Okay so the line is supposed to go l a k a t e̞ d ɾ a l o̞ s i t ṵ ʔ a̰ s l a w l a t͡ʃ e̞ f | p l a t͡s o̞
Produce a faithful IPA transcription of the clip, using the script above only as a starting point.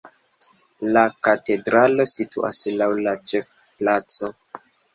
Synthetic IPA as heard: l a k a t e̞ d ɾ a l o̞ s i t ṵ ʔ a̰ s l a w l a t͡ʃ e̞ f | p l a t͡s o̞